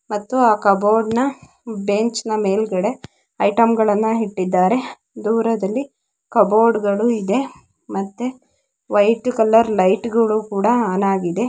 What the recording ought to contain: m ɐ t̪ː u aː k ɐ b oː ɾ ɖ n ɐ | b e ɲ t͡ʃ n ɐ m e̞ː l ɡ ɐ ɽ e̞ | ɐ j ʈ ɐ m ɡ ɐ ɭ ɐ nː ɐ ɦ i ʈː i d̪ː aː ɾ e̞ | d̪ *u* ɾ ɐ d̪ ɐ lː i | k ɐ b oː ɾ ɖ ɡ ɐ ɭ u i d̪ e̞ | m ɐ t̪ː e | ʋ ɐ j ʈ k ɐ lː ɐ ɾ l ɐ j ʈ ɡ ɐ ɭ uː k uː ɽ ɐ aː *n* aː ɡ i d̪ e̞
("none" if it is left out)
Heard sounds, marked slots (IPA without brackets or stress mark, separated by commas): uː, n